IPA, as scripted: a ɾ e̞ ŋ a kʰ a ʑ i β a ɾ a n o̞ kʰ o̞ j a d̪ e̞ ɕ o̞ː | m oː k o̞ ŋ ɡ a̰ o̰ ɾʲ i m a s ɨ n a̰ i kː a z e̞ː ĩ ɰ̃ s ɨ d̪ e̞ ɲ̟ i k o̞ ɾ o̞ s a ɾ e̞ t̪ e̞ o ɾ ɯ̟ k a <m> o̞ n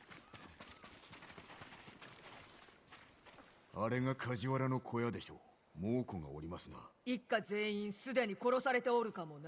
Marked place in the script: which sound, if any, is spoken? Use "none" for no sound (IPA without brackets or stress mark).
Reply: m